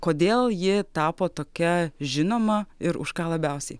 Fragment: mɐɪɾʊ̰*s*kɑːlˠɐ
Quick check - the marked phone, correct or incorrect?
incorrect